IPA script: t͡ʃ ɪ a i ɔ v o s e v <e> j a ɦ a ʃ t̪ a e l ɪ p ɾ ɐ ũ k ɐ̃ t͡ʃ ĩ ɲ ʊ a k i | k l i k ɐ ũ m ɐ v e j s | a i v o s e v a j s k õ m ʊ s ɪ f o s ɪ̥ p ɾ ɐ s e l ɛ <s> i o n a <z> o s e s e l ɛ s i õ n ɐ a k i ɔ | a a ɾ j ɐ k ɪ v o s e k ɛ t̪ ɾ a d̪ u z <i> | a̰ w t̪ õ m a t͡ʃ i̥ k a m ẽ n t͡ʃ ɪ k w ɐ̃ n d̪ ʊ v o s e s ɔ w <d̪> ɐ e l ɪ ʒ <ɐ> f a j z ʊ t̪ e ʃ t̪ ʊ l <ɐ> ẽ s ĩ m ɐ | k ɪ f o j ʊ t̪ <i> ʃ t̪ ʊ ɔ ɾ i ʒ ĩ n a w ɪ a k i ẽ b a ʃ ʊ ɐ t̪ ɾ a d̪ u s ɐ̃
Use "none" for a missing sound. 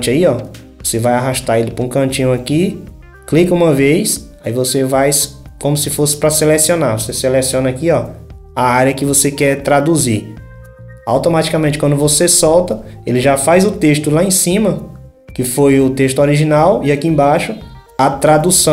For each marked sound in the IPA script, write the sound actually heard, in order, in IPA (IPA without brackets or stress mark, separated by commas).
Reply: a, s, v, i, t̪, a, a, e